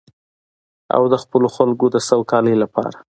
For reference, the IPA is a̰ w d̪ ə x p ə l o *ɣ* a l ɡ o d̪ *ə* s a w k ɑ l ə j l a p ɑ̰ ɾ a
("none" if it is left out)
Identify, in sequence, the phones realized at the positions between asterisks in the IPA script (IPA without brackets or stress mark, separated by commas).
x, ə